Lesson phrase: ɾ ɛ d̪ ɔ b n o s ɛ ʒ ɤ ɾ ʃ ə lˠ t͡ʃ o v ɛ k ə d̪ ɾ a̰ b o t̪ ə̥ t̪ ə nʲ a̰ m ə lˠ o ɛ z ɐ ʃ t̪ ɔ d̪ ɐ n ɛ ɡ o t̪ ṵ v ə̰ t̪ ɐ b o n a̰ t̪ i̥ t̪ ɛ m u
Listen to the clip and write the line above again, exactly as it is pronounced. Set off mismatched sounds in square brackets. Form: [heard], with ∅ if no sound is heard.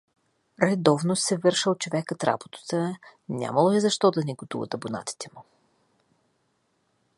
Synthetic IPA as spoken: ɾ ɛ d̪ ɔ [v] n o s ɛ [v] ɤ ɾ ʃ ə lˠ t͡ʃ o v ɛ k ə [t̪] ɾ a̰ b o t̪ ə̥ t̪ ə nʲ a̰ m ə lˠ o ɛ z ɐ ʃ t̪ ɔ d̪ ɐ n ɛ ɡ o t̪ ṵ v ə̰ t̪ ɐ b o n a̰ t̪ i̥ t̪ ɛ m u